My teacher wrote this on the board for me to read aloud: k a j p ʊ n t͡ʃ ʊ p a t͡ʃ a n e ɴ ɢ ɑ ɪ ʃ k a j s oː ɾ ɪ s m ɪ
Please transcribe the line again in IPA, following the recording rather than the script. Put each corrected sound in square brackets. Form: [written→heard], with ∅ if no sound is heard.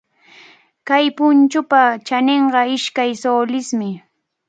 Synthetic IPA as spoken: k a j p ʊ n t͡ʃ ʊ p a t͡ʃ a n e ɴ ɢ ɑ ɪ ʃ k a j s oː [ɾ→l] ɪ s m ɪ